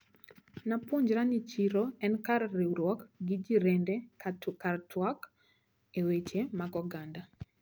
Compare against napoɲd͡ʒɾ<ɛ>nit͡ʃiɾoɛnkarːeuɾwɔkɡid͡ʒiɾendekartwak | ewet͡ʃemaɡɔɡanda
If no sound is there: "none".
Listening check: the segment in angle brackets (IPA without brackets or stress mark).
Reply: a